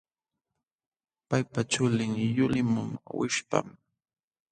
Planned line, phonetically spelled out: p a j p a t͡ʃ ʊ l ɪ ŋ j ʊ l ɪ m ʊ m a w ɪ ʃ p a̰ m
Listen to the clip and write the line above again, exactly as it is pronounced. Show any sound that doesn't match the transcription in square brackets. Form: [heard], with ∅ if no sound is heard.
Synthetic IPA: p a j p a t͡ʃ ʊ l ɪ ŋ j ʊ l ɪ m ʊ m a w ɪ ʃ p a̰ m